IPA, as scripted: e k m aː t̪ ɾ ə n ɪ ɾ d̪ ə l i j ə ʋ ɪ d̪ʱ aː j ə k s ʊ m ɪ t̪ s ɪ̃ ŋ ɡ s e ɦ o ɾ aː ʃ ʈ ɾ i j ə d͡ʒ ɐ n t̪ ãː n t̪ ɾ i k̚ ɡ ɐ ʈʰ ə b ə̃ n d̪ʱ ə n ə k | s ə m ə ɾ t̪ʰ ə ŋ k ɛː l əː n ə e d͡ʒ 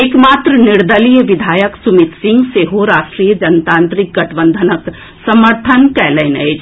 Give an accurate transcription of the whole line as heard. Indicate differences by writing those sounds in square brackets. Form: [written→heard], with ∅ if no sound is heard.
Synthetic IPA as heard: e k m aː t̪ ɾ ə n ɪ ɾ d̪ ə l i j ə ʋ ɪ d̪ʱ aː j ə k s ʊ m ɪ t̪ s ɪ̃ ŋ ɡ s e ɦ o ɾ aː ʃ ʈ ɾ i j ə d͡ʒ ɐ n t̪ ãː n t̪ ɾ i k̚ ɡ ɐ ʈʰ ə b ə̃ n d̪ʱ ə n ə k | s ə m ə ɾ t̪ʰ ə [ŋ→n] k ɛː l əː n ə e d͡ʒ